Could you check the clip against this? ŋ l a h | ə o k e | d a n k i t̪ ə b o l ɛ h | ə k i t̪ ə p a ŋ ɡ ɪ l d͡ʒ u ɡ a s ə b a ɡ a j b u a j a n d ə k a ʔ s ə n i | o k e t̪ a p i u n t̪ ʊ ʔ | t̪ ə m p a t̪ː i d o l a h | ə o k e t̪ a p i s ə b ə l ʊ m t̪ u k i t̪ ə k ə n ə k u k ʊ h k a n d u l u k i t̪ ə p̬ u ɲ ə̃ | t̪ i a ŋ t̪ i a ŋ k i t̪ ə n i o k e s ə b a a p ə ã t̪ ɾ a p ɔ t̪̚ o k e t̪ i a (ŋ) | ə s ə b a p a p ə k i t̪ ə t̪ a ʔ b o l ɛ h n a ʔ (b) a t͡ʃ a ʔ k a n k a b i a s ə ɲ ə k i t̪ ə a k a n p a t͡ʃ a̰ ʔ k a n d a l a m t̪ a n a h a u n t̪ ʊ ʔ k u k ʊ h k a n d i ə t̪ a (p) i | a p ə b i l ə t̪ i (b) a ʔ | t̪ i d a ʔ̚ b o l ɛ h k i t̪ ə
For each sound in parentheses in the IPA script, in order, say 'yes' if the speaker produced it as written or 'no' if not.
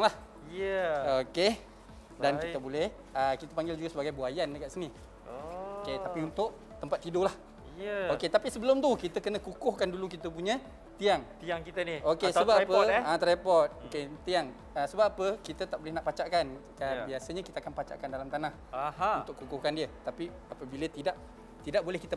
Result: yes, no, yes, no

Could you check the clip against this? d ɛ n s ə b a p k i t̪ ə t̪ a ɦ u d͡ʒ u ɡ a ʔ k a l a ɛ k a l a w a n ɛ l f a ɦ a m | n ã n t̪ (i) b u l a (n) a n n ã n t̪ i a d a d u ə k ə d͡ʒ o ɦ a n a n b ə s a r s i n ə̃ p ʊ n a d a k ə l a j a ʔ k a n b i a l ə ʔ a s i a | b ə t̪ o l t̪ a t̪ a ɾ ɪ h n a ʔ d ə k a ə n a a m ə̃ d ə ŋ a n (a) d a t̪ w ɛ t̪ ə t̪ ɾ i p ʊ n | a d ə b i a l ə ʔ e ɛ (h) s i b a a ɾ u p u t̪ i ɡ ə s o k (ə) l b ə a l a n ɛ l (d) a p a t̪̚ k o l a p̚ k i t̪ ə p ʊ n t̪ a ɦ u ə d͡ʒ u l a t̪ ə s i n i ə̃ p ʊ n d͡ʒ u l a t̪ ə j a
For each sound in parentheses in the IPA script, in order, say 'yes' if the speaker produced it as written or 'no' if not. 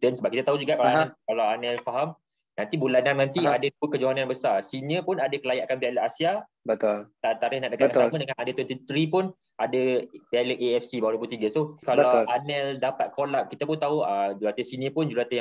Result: yes, yes, yes, no, no, yes

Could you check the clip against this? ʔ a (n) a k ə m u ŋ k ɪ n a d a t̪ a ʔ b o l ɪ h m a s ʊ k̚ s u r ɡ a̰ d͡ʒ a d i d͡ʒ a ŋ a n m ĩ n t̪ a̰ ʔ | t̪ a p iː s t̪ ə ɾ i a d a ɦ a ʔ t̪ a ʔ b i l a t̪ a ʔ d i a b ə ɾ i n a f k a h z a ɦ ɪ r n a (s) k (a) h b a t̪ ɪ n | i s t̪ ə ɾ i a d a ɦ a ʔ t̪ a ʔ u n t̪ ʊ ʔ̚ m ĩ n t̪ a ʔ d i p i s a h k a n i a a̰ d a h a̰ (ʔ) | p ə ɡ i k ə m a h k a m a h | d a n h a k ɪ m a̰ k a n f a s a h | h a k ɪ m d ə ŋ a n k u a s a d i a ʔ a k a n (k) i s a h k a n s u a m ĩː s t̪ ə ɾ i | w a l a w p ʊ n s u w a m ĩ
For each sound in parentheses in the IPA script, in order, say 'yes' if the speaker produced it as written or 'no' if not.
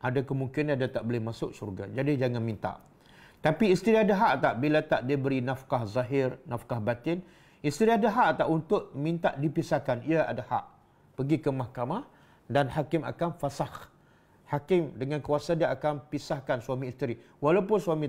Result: no, no, yes, yes, no

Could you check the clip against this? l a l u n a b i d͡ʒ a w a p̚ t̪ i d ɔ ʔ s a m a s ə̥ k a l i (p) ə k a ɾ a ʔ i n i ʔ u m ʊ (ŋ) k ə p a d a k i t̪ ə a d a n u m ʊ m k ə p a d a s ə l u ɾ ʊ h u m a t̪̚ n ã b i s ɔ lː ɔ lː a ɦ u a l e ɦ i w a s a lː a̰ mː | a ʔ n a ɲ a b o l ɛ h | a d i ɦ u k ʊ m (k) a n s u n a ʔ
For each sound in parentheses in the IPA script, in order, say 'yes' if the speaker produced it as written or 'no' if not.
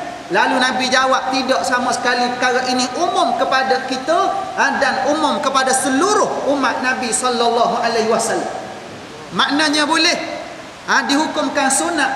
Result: yes, no, yes

